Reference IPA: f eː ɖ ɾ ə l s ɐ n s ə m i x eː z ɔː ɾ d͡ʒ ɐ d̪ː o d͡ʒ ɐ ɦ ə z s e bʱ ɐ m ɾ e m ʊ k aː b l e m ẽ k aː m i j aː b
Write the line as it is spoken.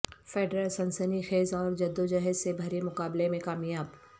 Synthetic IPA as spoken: f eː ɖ ɾ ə l s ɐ n s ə n i x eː z ɔː ɾ d͡ʒ ɐ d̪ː o d͡ʒ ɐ ɦ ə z s e bʱ ɐ ɾ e m ʊ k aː b l e m ẽ k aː m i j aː b